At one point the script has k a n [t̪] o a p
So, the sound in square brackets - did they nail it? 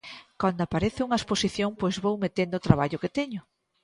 no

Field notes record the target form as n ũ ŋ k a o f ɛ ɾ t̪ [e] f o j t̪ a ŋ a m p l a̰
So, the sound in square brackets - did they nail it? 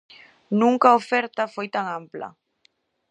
no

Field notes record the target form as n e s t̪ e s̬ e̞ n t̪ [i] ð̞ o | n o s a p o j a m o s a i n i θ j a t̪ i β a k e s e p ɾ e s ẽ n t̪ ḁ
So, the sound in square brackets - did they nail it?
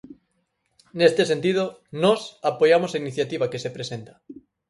yes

